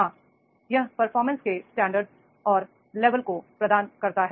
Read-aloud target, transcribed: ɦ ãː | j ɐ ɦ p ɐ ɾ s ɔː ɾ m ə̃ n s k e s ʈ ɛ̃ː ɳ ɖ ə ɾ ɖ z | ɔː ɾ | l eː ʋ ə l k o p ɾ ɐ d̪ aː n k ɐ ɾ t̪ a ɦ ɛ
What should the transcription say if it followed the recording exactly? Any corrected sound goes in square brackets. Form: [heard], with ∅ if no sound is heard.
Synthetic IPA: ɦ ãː | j ɐ ɦ p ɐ ɾ [f] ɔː ɾ m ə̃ n s k e s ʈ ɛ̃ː ɳ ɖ ə ɾ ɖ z | ɔː ɾ | l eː ʋ ə l k o p ɾ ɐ d̪ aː n k ɐ ɾ t̪ a ɦ ɛ